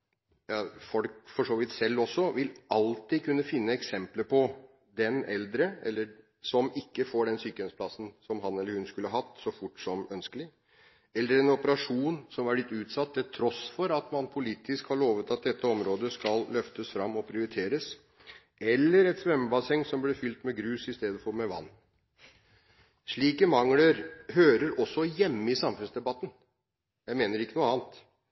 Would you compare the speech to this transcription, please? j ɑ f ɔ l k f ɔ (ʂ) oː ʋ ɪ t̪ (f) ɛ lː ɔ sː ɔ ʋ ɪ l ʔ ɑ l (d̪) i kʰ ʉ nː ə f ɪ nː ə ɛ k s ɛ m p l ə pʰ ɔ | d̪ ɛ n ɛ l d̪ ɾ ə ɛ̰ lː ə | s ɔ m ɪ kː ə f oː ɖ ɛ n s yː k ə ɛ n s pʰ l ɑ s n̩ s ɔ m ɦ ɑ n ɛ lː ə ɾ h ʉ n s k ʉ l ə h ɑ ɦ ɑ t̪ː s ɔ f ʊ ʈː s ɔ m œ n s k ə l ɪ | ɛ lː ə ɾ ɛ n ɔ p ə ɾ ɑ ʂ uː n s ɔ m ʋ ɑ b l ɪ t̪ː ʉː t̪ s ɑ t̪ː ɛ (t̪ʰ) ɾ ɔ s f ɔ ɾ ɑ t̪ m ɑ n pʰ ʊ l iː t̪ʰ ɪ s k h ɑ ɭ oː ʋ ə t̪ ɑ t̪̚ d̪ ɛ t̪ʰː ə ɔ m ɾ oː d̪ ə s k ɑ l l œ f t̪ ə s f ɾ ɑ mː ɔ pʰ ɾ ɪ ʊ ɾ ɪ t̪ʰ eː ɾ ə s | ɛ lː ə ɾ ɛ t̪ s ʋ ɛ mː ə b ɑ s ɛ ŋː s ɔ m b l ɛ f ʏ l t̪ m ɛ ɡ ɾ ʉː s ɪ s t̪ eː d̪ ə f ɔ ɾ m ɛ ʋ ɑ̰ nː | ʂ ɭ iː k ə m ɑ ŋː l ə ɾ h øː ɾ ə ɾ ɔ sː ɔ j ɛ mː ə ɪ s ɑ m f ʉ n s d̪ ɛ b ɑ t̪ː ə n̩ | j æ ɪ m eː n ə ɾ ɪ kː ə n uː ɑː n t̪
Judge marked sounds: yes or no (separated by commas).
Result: yes, no, no, yes